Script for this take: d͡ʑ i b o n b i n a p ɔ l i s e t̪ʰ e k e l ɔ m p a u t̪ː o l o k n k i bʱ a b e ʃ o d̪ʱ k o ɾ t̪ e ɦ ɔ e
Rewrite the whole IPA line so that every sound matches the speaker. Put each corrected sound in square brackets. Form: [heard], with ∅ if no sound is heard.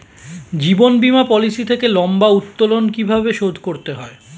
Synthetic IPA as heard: d͡ʑ i b o n b i [m] a p ɔ l i s [i] t̪ʰ e k e l ɔ m [b] a u t̪ː o l o [∅] n k i bʱ a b e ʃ o d̪ʱ k o ɾ t̪ e ɦ ɔ e